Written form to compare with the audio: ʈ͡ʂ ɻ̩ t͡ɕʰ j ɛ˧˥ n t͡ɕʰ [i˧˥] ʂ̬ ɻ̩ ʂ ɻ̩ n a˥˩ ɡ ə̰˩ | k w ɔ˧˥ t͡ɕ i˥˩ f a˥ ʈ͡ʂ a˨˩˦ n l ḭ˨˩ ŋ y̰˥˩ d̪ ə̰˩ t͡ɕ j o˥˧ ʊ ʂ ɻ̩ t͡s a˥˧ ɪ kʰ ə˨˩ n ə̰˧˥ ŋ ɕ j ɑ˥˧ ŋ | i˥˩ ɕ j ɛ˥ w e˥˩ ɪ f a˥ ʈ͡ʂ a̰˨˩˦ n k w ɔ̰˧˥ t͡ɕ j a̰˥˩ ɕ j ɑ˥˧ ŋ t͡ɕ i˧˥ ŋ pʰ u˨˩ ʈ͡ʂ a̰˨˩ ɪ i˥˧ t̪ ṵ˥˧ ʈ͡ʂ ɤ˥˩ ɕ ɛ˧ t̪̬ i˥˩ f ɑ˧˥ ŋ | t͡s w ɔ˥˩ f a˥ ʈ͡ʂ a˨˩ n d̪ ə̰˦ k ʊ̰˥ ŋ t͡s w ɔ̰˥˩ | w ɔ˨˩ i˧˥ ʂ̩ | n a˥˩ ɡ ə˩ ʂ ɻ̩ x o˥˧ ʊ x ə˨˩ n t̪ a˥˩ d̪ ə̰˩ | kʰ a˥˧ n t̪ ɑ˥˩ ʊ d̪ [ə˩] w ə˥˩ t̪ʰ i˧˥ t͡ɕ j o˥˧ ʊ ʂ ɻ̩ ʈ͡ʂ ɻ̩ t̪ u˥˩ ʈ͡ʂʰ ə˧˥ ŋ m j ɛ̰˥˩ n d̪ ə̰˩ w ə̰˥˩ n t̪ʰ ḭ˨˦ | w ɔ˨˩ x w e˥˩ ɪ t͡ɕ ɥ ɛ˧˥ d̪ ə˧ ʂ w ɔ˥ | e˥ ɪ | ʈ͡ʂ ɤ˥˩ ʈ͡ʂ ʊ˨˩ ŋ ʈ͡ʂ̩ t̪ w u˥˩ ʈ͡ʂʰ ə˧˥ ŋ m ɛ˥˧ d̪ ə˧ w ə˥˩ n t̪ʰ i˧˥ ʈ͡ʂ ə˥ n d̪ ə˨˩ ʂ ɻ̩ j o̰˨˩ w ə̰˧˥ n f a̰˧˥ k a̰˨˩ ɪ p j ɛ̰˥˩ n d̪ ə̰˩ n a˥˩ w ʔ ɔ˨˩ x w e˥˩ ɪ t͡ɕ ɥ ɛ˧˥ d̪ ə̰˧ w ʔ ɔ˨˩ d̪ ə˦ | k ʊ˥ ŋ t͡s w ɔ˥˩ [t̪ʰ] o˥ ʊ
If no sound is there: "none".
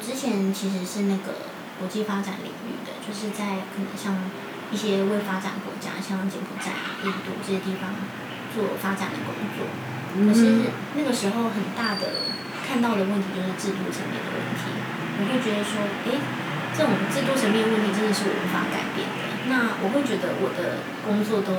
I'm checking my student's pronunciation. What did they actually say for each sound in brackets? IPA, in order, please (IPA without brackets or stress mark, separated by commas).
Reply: i˧˥, ə˩, t̪